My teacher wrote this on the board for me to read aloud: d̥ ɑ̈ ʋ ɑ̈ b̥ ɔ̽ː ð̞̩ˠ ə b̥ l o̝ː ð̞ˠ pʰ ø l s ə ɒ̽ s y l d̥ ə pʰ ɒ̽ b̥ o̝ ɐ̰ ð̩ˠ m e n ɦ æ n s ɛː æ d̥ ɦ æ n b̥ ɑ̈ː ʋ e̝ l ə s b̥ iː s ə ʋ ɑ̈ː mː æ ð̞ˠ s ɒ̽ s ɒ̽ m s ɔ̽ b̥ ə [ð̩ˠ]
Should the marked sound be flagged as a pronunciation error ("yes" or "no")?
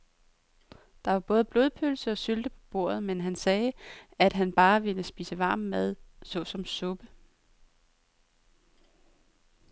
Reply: yes